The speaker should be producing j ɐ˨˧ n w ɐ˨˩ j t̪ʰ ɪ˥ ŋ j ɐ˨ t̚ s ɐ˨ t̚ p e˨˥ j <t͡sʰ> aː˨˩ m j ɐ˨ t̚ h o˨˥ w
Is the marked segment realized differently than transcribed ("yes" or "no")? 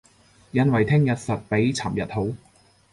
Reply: no